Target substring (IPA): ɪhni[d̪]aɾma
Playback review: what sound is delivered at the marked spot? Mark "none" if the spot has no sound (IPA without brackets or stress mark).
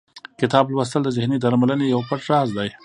d̪